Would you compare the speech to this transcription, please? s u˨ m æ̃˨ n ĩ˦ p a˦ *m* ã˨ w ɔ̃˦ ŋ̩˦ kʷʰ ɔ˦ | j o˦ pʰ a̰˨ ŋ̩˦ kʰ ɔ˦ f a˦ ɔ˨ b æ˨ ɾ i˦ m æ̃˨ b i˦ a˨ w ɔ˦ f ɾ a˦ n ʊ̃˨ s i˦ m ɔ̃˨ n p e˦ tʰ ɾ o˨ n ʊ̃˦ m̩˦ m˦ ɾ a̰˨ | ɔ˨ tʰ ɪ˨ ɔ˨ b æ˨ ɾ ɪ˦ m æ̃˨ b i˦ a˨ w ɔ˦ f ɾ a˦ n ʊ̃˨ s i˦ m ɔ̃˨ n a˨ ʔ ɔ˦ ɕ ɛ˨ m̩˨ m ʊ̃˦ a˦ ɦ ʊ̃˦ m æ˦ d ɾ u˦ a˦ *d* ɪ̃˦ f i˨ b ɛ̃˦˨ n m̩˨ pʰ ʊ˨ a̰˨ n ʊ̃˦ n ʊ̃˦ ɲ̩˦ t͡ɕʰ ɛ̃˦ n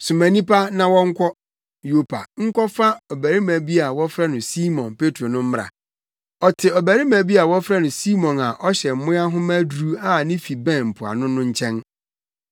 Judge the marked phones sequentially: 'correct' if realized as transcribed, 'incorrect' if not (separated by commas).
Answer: incorrect, incorrect